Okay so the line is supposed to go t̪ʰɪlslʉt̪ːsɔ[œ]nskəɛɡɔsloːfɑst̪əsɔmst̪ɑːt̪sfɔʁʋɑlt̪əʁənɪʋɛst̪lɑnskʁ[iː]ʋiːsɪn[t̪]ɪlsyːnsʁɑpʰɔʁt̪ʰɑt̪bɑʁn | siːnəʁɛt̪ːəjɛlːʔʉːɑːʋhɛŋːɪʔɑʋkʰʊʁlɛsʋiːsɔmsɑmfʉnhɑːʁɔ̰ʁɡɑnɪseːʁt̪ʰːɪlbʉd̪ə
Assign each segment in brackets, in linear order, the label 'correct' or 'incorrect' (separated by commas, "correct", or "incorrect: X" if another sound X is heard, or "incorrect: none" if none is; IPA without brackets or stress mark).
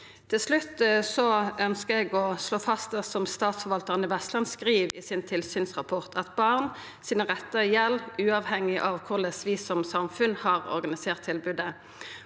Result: correct, correct, incorrect: t̪ʰ